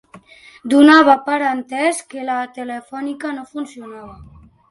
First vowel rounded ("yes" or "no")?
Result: yes